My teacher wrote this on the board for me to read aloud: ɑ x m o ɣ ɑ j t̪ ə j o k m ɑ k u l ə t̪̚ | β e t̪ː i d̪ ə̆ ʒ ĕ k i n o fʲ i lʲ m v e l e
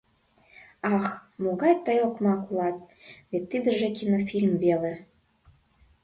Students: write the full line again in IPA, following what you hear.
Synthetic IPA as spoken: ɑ x m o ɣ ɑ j t̪ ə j o k m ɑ k u l ɑ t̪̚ | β e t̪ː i d̪ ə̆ ʒ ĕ k i n o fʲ i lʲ m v e l e